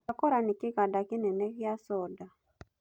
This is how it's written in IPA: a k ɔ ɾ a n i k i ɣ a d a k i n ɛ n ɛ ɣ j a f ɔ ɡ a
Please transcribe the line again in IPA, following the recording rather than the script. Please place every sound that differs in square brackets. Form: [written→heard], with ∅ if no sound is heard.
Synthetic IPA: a k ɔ ɾ a n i k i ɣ a d a k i n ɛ n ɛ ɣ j a [f→s] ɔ [ɡ→d] a

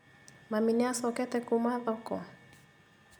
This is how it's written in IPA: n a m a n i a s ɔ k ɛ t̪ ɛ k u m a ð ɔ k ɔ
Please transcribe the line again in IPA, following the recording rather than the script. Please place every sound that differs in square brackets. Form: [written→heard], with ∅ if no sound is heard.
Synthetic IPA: [n→m] a m [a→i] n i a s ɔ k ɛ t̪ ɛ k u m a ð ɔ k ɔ

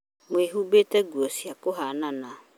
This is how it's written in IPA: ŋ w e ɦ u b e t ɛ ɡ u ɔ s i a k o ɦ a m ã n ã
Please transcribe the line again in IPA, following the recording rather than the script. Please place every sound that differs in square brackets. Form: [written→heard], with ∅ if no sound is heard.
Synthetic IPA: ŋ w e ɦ u b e t ɛ ɡ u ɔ s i a k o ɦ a [m→n] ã n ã

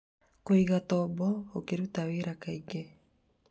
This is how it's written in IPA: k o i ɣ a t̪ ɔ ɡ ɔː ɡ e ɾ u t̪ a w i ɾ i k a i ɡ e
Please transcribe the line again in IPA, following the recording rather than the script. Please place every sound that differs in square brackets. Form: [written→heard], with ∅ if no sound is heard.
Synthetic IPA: k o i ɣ a t̪ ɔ [ɡ→b] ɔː [ɡ→k] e ɾ u t̪ a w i ɾ [i→a] k a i ɡ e

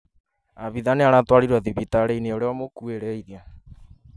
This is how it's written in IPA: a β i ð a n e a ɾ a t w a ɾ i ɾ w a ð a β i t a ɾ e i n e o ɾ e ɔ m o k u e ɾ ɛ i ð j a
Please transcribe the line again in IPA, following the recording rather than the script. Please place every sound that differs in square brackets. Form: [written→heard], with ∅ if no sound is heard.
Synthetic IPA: a β i ð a n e a ɾ a t w a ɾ i ɾ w a ð [a→i] β i t a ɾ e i n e o ɾ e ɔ m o k u e ɾ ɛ i ð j a

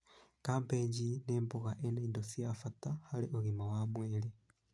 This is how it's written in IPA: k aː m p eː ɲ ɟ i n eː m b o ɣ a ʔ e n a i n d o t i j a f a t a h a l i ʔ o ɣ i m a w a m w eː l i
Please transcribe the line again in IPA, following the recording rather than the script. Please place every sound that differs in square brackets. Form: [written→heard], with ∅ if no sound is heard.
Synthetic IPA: k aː m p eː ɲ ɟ i n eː m b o ɣ a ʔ e n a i n d o [t→s] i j a f a t a h a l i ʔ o ɣ i m a w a m w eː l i

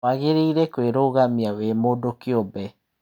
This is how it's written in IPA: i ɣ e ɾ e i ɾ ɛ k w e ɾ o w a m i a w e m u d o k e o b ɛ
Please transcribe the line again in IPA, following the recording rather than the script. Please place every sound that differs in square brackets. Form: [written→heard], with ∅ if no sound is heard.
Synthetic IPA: [i→a] ɣ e ɾ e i ɾ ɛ k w e ɾ o [w→ɣ] a m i a w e m [u→o] d o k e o b ɛ

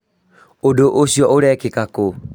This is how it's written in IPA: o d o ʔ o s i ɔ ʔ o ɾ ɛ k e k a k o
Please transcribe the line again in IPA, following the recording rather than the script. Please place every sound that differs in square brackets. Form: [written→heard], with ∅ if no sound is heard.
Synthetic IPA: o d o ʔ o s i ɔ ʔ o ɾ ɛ k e k a k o

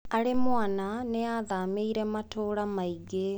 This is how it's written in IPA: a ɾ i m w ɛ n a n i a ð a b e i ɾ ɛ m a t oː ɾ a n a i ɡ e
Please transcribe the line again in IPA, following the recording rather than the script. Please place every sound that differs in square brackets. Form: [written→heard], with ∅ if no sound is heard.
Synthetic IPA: a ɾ [i→e] m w [ɛ→a] n a n [i→e] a ð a [b→m] e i ɾ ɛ m a t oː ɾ a [n→m] a i ɡ e

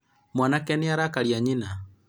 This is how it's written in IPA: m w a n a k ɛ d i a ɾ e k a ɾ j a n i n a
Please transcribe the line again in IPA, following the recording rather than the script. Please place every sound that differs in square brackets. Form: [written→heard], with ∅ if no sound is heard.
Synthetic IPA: m w a n a k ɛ [d→n] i a ɾ [e→a] k a ɾ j a [n→ɲ] i n a

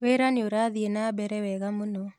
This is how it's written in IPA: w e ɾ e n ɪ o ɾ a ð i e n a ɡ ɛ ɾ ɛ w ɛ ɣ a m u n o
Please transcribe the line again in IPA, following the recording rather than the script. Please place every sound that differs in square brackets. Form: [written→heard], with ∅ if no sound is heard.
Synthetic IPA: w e ɾ [e→a] n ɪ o ɾ a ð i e n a [ɡ→b] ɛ ɾ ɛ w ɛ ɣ a m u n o

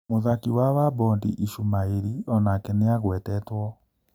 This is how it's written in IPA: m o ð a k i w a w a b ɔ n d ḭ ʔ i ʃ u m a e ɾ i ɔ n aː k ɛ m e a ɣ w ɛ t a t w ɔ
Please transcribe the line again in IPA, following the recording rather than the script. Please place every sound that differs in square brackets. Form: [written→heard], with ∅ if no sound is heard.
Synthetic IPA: m o ð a k i w a w a b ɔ n d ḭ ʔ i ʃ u m a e ɾ i ɔ n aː k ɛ [m→n] e a ɣ w ɛ t [a→ɛ] t w ɔ

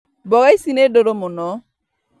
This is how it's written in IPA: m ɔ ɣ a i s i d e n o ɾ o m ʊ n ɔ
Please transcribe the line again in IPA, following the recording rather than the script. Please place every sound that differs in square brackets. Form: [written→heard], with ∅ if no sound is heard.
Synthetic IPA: [m→b] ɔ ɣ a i s i [d→n] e [n→d] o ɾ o m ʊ n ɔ

